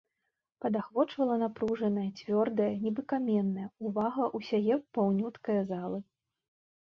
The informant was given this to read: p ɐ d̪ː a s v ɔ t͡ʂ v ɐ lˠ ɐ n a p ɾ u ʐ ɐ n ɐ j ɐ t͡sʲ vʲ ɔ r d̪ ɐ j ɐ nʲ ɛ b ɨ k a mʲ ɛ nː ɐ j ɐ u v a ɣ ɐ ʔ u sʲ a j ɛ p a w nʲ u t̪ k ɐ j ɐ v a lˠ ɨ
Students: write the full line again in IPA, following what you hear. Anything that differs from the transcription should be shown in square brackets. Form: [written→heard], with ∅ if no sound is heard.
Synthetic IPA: p ɐ [d̪ː→d̪] a [s→x] v ɔ t͡ʂ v ɐ lˠ ɐ n a p ɾ u ʐ ɐ n ɐ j ɐ t͡sʲ vʲ ɔ r d̪ ɐ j ɐ nʲ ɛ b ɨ k a mʲ ɛ nː ɐ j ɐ u v a ɣ ɐ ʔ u sʲ a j ɛ p a w nʲ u t̪ k ɐ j ɐ [v→z] a lˠ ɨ

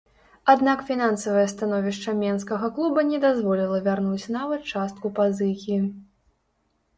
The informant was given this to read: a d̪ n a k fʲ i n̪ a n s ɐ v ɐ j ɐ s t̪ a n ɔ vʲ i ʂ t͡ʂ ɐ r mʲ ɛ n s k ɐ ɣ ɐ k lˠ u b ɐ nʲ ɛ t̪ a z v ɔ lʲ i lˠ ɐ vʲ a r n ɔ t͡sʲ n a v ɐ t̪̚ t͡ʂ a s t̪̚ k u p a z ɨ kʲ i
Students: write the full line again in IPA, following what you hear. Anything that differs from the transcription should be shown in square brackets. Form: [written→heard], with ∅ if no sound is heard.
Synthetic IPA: a d̪ n a k fʲ i n̪ a n s ɐ v ɐ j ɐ s t̪ a n ɔ vʲ i ʂ t͡ʂ ɐ [r→∅] mʲ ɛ n s k ɐ ɣ ɐ k lˠ u b ɐ nʲ ɛ [t̪→d̪] a z v ɔ lʲ i lˠ ɐ vʲ a r n [ɔ→u] t͡sʲ n a v ɐ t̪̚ t͡ʂ a s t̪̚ k u p a z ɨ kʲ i

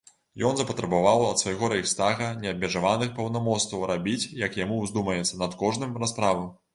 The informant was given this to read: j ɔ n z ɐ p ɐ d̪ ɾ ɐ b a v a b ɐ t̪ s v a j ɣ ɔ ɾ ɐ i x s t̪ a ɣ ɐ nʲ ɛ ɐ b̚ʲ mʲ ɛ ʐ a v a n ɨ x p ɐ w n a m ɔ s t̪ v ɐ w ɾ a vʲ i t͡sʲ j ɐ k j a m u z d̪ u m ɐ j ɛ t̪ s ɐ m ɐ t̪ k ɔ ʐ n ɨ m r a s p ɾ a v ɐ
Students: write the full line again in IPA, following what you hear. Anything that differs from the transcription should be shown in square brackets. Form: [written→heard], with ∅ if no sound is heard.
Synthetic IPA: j ɔ n z ɐ p ɐ [d̪→t̪] ɾ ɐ b a v a [b→w] ɐ t̪ s v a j ɣ ɔ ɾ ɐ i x s t̪ a ɣ ɐ nʲ ɛ ɐ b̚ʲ mʲ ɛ ʐ a v a n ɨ x p ɐ w n a m ɔ s t̪ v ɐ w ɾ a [vʲ→bʲ] i t͡sʲ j ɐ k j a m u z d̪ u m ɐ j ɛ t̪ s ɐ [m→n] ɐ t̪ k ɔ ʐ n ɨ m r a s p ɾ a v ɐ

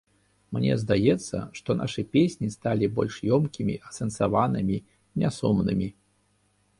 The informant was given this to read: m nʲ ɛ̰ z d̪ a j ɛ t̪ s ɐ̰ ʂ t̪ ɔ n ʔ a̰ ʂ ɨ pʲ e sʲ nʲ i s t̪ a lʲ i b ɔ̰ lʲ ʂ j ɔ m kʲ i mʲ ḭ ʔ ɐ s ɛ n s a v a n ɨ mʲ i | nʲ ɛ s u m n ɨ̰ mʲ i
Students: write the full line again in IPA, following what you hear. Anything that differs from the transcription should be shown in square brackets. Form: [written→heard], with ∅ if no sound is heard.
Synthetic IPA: m nʲ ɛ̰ z d̪ a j ɛ t̪ [s→sː] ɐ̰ ʂ t̪ ɔ n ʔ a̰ ʂ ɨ pʲ e sʲ nʲ i s t̪ a lʲ i b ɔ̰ lʲ ʂ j ɔ m kʲ i mʲ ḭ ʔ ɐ s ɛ n s a v a n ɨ mʲ i | nʲ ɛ s u m n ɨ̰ mʲ i

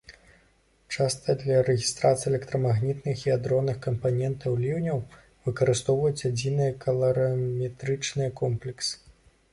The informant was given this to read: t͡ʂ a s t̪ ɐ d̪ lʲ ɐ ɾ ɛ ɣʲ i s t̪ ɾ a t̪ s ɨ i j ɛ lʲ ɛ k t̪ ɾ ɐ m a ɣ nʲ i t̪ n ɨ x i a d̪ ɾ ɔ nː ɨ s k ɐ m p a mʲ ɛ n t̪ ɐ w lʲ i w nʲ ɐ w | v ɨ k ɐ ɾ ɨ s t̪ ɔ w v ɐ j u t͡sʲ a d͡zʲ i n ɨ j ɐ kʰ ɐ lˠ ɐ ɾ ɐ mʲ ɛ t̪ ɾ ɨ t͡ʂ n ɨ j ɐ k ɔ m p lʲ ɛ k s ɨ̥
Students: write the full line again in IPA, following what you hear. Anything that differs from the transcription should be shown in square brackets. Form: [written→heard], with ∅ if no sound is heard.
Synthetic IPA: t͡ʂ a s t̪ ɐ d̪ lʲ ɐ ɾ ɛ ɣʲ i s t̪ ɾ a t̪ s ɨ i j ɛ lʲ ɛ k t̪ ɾ ɐ m a ɣ nʲ i t̪ n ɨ x i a d̪ ɾ ɔ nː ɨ [s→x] k ɐ m p a [mʲ→nʲ] ɛ n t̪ ɐ w lʲ i w nʲ ɐ w | v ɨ k ɐ ɾ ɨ s t̪ ɔ w v ɐ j u t͡sʲ a d͡zʲ i n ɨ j ɐ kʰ ɐ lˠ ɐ ɾ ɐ mʲ ɛ t̪ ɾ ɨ t͡ʂ n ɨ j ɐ k ɔ m p lʲ ɛ k s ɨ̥

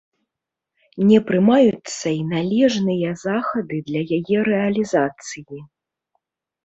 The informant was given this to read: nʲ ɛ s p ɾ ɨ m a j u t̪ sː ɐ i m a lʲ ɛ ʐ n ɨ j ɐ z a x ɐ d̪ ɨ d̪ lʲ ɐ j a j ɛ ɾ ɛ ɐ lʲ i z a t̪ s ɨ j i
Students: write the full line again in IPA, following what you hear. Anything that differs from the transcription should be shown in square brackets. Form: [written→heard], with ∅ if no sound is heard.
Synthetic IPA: nʲ ɛ [s→∅] p ɾ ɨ m a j u t̪ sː ɐ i [m→n] a lʲ ɛ ʐ n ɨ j ɐ z a x ɐ d̪ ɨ d̪ lʲ ɐ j a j ɛ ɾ ɛ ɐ lʲ i z a t̪ s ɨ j i

